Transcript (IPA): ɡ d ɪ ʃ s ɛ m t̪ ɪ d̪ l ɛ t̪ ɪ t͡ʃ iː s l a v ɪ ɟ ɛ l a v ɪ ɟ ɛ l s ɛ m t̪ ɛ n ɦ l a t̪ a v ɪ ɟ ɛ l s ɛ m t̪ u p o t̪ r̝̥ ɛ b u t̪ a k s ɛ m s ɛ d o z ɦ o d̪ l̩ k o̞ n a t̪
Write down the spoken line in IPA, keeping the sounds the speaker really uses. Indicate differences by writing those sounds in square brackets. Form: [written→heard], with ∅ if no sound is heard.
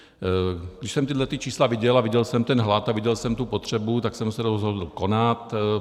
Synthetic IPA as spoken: ɡ d ɪ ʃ s ɛ m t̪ ɪ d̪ l ɛ t̪ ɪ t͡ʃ iː s l a v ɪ ɟ ɛ l a v ɪ ɟ ɛ l s ɛ m t̪ ɛ n ɦ l a t̪ a v ɪ ɟ ɛ l s ɛ m t̪ u p o t̪ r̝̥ ɛ b u t̪ a k s ɛ m s ɛ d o z ɦ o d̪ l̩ k o̞ n a t̪